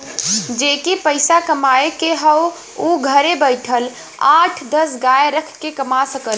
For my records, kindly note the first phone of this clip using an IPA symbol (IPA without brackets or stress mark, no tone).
d͡ʒ